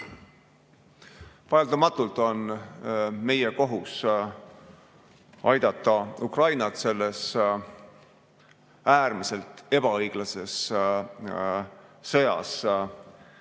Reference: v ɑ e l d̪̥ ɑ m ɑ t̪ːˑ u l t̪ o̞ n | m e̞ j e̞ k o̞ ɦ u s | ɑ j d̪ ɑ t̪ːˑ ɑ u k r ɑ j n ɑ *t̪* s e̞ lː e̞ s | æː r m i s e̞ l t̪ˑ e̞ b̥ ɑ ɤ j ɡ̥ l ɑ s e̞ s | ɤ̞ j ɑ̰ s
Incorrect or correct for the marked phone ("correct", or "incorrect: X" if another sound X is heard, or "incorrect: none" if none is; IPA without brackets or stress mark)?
correct